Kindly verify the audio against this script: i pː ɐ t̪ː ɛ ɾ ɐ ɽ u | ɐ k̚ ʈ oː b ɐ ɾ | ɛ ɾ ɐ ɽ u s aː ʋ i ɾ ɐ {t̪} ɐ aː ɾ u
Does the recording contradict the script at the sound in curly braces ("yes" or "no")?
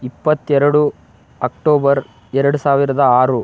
yes